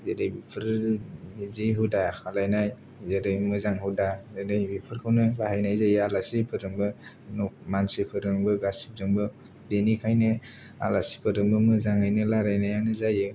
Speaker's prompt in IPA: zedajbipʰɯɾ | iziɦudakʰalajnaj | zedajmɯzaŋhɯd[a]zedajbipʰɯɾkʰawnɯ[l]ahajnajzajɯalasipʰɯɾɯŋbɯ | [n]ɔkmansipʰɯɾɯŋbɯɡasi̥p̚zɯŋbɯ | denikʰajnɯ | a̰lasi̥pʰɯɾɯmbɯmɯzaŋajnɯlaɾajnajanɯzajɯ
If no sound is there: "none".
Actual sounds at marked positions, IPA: a, l, n

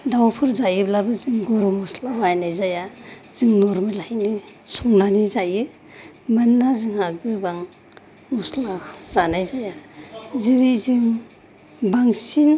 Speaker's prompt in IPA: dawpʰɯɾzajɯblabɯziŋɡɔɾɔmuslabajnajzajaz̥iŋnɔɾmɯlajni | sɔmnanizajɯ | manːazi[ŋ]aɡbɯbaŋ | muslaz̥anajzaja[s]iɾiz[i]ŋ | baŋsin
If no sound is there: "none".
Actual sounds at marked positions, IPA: ŋ, z, i

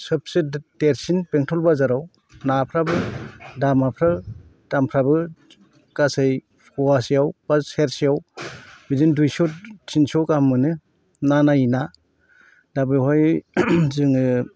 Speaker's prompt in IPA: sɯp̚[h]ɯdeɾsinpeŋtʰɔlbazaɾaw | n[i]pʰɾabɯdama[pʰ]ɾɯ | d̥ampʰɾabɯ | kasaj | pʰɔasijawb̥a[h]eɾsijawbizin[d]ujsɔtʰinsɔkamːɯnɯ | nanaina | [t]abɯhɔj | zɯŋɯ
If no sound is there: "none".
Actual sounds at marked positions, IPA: s, a, pʰ, s, d, d

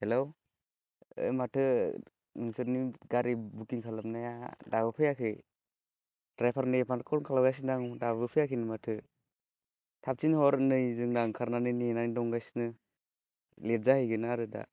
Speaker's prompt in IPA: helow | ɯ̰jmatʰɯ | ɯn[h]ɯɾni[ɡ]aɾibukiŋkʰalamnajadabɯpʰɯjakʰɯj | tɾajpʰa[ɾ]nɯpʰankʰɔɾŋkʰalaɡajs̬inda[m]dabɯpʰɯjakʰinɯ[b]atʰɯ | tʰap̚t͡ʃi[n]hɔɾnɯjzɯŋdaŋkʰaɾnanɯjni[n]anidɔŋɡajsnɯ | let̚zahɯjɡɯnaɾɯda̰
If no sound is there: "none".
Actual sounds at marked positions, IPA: s, ɡ, ɾ, ŋ, m, n, n

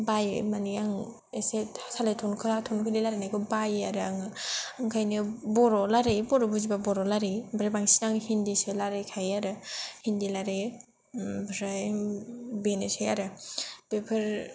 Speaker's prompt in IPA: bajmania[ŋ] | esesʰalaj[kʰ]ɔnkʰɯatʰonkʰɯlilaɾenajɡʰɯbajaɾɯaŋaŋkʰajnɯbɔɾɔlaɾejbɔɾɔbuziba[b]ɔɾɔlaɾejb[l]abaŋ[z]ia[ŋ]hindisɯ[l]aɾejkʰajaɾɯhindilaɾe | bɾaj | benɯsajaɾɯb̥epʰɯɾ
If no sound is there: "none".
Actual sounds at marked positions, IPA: ŋ, tʰ, b, ɾ, s, ŋ, l

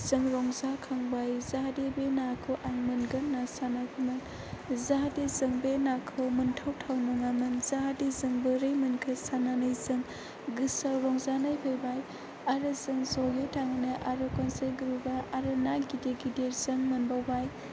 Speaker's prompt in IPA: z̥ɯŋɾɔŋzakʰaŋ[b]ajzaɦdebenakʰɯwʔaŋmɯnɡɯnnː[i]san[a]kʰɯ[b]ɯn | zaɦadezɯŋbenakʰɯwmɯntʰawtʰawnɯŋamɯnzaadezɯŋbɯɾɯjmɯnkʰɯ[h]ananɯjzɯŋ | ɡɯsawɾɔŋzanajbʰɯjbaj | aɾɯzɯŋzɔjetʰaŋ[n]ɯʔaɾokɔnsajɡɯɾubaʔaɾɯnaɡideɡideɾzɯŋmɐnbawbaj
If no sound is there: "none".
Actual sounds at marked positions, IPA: b, a, a, m, s, n

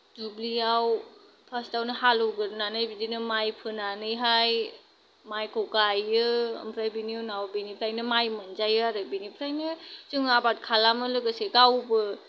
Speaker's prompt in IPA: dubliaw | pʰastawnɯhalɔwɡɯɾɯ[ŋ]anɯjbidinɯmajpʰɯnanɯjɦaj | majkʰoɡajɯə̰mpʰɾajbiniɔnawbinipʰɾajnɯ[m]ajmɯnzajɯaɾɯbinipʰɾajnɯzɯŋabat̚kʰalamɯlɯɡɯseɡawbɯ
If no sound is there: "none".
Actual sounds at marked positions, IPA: n, m

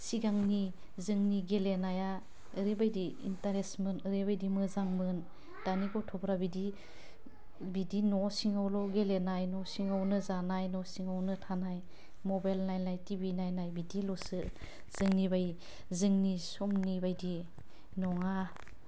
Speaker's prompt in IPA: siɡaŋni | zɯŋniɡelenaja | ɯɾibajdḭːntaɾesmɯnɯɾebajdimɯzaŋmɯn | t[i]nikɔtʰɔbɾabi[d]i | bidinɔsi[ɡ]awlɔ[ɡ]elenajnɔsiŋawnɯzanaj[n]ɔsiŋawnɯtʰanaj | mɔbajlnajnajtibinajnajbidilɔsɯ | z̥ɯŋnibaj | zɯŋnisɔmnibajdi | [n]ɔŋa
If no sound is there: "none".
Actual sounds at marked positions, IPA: a, d, ŋ, ɡ, n, n

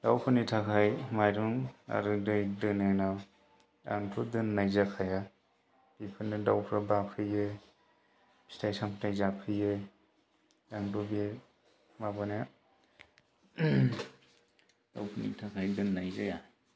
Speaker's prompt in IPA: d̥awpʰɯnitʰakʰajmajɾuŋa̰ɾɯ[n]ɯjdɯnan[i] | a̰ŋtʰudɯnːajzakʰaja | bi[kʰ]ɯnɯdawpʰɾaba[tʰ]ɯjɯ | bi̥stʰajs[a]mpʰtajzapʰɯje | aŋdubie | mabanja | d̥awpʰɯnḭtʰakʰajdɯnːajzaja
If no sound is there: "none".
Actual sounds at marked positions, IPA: d, a, pʰ, pʰ, a

